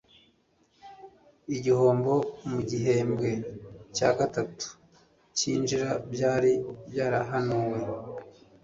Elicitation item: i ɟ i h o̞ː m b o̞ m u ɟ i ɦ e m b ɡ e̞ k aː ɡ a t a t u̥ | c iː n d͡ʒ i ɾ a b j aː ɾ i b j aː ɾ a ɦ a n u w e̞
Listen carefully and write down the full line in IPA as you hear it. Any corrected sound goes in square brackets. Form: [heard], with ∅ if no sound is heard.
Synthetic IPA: i ɟ i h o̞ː m b o̞ m u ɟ i ɦ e m b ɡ e̞ [c] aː ɡ a t a t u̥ | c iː n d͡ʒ i ɾ a b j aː ɾ i b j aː ɾ a ɦ a n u w e̞